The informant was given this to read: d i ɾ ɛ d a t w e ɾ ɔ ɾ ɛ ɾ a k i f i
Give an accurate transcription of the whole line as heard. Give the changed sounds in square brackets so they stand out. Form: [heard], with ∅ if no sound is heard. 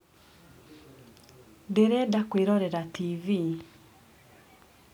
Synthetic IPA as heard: d [e] ɾ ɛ d a [k] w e ɾ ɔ ɾ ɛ ɾ a [t] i [v] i